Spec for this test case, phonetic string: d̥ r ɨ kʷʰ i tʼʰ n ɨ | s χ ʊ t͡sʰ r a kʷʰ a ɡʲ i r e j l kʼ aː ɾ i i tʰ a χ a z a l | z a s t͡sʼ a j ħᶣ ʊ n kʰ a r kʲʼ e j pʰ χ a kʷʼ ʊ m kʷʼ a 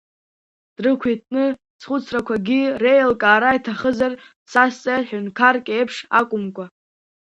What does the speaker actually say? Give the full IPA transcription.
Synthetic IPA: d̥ r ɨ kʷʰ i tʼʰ n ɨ | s χ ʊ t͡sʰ r a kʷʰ a ɡʲ i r e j l kʼ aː ɾ a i tʰ a χ ə z a r | s a s t͡sʼ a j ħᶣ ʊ n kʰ a r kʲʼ e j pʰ ʂ a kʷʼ ʊ m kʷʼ a

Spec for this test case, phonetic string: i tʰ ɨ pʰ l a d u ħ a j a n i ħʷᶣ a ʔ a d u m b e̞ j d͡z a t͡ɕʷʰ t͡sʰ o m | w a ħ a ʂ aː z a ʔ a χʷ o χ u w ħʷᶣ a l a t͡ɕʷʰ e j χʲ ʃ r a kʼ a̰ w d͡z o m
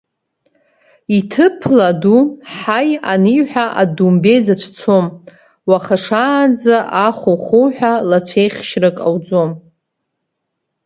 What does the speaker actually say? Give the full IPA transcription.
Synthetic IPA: i tʰ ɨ pʰ l a d u ħ a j a n i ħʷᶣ a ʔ a d u m b e̞ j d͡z a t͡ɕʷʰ t͡sʰ o m | w a χ a ʂ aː d͡z a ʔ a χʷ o χ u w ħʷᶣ a l a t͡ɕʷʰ e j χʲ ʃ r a kʼ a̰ w d͡z o m

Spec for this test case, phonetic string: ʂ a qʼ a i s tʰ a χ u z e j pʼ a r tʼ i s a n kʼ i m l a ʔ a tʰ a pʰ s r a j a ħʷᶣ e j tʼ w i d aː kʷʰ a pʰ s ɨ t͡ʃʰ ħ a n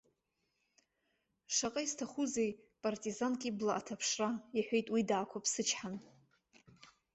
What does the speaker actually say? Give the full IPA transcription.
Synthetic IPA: ʂ a qʼ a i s tʰ a χ u z e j pʼ a r tʼ i z a n kʼ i b l a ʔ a tʰ a pʰ ʂ r a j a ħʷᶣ e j tʼ w i d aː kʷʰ a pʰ s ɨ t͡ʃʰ ħ a n

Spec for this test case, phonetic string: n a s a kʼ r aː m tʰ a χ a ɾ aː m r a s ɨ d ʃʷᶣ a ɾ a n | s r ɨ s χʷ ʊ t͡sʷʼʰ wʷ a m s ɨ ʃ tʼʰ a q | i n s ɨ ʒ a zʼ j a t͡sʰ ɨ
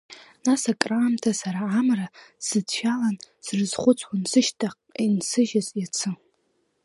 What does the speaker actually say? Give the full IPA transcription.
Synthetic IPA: n a s a kʼ r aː m tʰ a s a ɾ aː m r a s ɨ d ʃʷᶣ a l a n | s r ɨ z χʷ ʊ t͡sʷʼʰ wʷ a n s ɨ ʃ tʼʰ a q | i n s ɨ ʒ a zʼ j a t͡sʰ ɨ

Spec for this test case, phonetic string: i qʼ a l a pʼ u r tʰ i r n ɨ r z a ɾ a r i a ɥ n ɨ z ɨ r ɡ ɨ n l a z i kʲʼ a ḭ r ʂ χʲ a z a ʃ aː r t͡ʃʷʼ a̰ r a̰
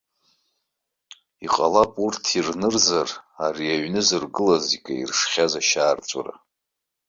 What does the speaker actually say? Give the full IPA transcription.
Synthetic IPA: i qʼ a l a pʼ u r tʰ i r n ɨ r z a r a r i a ɥ n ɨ z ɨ r ɡ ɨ l a z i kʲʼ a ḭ r ʂ χʲ a z a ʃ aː r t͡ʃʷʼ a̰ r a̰

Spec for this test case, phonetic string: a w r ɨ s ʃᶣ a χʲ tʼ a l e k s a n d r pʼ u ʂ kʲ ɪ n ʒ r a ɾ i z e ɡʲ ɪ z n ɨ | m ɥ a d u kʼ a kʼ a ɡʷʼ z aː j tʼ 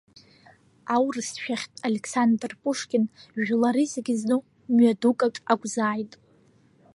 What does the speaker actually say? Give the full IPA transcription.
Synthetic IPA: a w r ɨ s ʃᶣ a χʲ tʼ a l e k s a n d r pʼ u ʂ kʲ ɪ n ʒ l a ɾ i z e ɡʲ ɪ z n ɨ | m ɥ a d u kʼ a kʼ a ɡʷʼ z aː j tʼ

